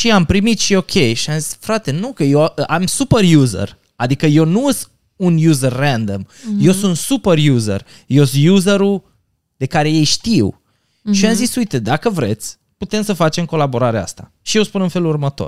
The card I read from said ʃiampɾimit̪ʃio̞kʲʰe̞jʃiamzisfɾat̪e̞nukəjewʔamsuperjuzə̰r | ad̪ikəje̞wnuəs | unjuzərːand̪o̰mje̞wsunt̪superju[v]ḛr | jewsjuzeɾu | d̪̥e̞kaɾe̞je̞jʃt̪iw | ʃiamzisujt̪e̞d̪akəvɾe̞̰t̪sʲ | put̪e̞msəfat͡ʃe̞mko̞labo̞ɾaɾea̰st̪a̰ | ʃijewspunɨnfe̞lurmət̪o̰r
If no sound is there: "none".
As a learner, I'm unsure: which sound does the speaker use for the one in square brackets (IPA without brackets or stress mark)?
z